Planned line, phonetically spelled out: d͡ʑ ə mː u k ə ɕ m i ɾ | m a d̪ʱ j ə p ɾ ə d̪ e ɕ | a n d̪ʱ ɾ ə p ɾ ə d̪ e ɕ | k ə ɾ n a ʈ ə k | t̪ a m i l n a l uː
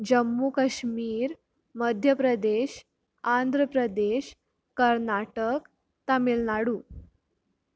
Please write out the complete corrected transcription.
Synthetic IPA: d͡ʑ ə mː u k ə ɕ m iː ɾ | m ə d̪ʱ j ə p ɾ ə d̪ e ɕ | a n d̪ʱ ɾ ə p ɾ ə d̪ e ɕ | k ə ɾ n a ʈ ə k | t̪ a m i l n a ɽ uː